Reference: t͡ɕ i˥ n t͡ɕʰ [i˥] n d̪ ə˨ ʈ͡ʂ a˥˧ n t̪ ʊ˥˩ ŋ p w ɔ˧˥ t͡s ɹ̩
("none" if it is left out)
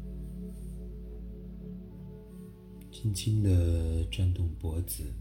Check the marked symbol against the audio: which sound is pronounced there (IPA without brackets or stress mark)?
i˥